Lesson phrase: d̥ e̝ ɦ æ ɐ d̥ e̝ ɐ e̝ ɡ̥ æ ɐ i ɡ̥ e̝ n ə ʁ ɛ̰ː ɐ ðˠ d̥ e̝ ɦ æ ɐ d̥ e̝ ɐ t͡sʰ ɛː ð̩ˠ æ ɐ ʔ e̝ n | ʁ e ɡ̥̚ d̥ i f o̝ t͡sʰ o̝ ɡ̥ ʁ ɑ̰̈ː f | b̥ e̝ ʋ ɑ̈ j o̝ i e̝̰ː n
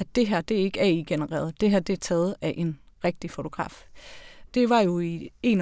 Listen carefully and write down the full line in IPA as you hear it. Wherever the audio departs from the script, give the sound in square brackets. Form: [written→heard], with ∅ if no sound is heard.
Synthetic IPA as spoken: d̥ e̝ ɦ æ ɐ d̥ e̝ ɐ e̝ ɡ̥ æ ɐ i ɡ̥ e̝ n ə ʁ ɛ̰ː ɐ ðˠ d̥ e̝ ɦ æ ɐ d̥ e̝ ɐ t͡sʰ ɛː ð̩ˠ æ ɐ ʔ e̝ n | ʁ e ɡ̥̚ d̥ i f o̝ t͡sʰ o̝ ɡ̥ ʁ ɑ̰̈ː f | [b̥→d̥] e̝ ʋ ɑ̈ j o̝ i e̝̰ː n